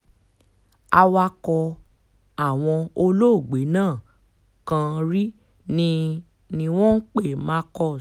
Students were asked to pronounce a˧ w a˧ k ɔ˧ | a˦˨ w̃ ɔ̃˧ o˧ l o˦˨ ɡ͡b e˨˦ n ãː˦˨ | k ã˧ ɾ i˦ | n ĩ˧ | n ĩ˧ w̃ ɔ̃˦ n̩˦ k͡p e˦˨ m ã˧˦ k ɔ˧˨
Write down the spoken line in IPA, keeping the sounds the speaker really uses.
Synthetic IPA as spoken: a˧ w a˧ k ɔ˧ | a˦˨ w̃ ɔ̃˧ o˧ l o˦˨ ɡ͡b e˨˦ n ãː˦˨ | k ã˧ ɾ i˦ | n ĩ˧ | n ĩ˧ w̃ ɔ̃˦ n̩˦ k͡p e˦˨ m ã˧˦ k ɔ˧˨